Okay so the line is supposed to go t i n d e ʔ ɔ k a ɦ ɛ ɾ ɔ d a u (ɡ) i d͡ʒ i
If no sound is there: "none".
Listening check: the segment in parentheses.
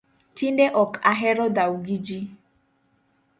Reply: ɡ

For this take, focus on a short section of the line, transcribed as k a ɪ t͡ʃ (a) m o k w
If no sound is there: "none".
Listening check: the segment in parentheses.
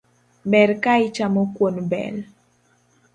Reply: a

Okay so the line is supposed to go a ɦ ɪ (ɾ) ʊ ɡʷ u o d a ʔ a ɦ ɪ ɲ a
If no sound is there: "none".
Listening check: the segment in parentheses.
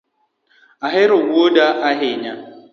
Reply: ɾ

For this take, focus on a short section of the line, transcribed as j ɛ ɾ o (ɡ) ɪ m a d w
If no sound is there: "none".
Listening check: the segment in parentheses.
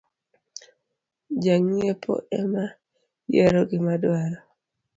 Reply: ɡ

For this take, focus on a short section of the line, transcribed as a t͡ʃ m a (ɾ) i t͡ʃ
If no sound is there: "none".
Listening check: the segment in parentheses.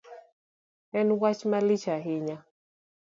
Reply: l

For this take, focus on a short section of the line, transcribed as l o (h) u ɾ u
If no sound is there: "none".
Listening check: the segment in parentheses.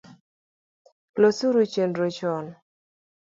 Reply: s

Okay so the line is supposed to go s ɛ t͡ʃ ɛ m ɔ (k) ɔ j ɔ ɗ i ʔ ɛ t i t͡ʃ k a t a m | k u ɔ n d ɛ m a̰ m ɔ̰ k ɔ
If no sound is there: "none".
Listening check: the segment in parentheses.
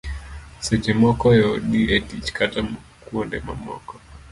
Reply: k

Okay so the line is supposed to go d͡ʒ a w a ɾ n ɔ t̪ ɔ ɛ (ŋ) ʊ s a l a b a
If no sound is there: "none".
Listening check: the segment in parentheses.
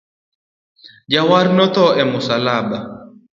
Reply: m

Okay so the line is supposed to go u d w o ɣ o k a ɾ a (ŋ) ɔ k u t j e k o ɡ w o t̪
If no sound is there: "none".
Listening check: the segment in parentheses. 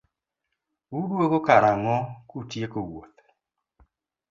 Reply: ŋ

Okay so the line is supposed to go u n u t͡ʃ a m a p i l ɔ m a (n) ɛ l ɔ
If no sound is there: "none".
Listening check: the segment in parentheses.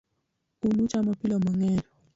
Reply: ŋ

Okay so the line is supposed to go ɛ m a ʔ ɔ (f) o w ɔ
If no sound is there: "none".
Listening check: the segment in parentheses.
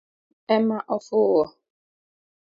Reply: f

